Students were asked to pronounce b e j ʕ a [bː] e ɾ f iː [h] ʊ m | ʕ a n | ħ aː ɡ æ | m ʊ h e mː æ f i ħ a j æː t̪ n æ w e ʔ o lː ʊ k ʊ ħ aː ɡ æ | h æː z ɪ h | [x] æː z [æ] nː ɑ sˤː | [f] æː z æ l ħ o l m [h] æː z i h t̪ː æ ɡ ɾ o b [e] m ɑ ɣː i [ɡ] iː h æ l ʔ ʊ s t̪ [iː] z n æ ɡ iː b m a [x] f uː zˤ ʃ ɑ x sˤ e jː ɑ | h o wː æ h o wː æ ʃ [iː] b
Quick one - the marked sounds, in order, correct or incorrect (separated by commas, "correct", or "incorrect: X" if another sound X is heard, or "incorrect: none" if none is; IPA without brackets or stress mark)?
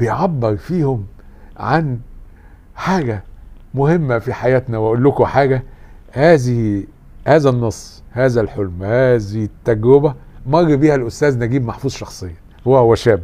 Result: correct, correct, incorrect: h, correct, incorrect: h, correct, incorrect: æ, incorrect: b, incorrect: æː, incorrect: ħ, incorrect: æː